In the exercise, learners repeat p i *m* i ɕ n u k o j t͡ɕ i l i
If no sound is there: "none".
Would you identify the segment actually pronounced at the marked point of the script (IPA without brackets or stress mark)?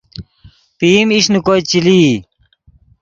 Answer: m